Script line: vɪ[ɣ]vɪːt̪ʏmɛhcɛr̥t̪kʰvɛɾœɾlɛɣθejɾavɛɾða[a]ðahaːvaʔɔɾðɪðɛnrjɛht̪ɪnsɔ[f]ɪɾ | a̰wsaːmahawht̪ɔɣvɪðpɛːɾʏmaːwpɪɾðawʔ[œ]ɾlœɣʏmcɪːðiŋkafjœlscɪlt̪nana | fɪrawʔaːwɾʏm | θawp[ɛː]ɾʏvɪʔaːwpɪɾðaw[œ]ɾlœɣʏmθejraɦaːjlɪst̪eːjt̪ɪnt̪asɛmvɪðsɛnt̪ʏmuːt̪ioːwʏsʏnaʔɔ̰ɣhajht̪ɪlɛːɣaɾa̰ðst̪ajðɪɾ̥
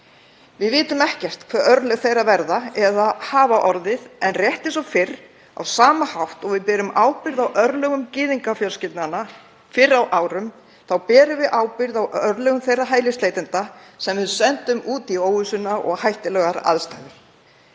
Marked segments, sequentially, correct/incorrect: incorrect, incorrect, correct, correct, correct, correct

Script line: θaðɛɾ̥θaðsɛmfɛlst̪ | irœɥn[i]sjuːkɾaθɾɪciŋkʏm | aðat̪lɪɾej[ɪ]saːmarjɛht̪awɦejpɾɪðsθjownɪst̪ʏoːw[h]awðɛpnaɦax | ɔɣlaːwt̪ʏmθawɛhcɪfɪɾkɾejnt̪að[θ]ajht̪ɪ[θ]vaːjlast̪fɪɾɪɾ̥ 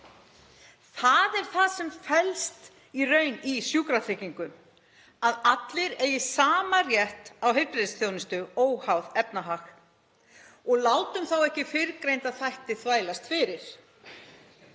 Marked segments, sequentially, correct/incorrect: correct, correct, correct, correct, correct

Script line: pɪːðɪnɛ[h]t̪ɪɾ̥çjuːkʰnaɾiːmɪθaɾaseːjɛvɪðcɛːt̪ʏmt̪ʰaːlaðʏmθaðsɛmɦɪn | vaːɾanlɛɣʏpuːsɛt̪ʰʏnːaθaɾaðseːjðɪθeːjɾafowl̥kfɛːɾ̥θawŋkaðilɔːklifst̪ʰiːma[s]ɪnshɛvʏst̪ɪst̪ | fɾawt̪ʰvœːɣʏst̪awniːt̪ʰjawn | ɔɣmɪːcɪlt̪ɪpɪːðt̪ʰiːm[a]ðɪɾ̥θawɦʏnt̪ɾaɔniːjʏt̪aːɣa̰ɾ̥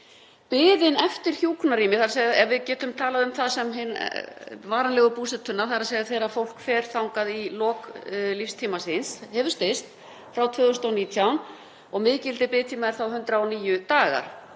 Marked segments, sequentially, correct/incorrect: incorrect, correct, correct

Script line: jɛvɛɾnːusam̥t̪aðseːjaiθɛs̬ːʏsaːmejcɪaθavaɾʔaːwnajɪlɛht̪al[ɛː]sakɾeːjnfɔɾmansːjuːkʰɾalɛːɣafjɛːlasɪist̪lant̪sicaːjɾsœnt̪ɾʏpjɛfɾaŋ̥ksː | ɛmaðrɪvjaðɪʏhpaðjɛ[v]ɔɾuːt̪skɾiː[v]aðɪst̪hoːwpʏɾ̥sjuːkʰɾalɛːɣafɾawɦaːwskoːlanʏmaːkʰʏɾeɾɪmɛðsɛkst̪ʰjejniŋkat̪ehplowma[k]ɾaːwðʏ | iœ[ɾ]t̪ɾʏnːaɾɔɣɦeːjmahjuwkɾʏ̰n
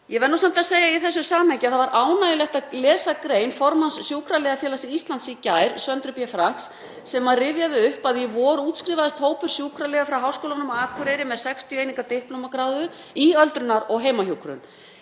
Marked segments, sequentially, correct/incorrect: correct, correct, correct, correct, incorrect

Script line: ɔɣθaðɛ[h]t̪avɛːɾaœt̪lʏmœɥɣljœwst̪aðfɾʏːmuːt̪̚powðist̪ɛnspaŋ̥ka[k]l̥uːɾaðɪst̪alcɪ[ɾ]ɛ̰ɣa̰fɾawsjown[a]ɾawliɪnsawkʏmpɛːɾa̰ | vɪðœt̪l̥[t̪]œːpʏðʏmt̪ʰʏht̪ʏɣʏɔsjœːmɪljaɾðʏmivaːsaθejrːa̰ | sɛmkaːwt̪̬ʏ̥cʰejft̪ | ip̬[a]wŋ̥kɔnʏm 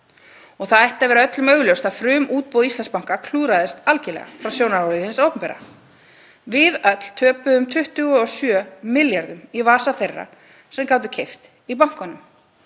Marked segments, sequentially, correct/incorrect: correct, incorrect, incorrect, correct, incorrect, correct

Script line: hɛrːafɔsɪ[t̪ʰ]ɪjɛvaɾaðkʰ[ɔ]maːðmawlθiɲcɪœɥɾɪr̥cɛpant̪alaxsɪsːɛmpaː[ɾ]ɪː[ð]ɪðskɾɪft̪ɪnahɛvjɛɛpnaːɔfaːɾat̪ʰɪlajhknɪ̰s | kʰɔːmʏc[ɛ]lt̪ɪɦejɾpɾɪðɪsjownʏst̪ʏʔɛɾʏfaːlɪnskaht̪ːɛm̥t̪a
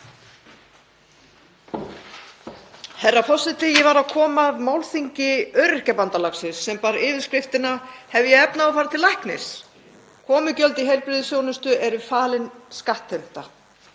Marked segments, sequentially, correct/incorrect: incorrect, incorrect, correct, incorrect, incorrect

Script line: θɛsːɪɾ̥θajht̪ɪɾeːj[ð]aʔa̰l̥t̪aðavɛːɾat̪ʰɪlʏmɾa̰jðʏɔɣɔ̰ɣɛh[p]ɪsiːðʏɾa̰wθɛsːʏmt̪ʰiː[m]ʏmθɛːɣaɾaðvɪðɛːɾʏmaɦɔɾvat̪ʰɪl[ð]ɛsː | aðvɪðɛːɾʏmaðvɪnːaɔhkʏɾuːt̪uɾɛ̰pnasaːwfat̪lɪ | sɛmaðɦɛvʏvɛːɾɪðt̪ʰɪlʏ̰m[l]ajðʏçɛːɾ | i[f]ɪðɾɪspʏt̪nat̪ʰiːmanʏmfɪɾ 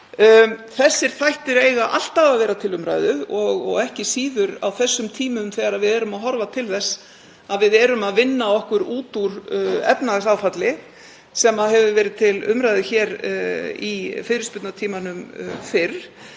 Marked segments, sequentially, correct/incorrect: incorrect, incorrect, correct, incorrect, incorrect, correct

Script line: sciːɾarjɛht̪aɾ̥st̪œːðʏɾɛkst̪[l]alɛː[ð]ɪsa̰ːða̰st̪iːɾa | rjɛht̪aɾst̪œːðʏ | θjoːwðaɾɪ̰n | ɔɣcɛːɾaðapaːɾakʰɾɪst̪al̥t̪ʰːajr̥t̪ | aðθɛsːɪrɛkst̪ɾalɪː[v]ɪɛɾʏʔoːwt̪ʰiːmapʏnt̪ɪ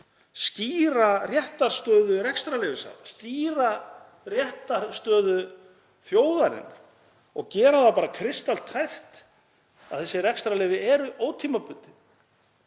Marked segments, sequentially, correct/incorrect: incorrect, incorrect, correct

